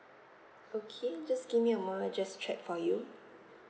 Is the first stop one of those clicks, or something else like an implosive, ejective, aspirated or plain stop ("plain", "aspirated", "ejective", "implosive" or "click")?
aspirated